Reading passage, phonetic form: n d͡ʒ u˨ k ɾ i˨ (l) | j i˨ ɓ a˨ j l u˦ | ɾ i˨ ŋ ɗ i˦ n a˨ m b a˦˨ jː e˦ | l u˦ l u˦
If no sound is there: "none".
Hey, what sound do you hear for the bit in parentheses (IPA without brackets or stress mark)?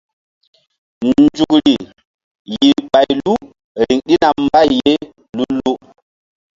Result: none